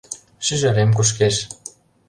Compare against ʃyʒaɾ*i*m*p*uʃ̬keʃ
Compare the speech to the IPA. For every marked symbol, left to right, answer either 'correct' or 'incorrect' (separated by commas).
incorrect, incorrect